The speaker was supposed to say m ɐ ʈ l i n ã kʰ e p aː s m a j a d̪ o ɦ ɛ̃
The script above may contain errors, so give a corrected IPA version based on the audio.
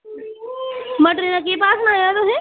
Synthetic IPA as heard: m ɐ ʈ ɾ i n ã k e p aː s n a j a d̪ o ɦ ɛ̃